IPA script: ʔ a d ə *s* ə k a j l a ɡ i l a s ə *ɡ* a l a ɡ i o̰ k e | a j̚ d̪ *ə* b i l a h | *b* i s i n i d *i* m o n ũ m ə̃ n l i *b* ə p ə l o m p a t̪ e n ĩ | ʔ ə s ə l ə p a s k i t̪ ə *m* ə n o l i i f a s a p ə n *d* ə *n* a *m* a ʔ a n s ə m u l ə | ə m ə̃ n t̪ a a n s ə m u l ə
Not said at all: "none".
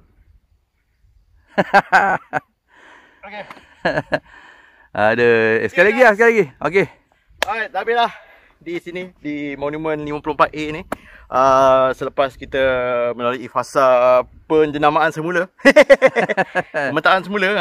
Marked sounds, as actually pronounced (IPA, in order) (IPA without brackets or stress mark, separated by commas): s, k, a, d, i, m, m, d͡ʒ, n, m